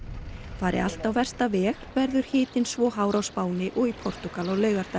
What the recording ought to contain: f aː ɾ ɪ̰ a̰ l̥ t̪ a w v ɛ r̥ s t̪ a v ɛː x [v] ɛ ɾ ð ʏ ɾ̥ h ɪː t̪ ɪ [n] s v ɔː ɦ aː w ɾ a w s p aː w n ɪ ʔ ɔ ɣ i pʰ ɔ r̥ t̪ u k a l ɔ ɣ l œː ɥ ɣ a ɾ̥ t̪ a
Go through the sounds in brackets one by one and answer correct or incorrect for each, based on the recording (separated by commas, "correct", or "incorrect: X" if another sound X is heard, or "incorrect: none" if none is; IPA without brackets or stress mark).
correct, correct